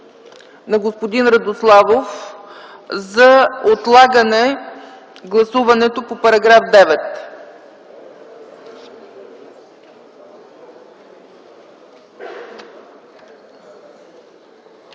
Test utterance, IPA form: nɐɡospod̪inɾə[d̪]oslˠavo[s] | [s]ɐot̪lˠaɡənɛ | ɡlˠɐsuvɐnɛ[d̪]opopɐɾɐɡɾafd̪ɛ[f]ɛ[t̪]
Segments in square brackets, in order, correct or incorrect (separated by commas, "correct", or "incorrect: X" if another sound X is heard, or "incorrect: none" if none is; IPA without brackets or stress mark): correct, incorrect: f, incorrect: z, incorrect: t̪, incorrect: v, correct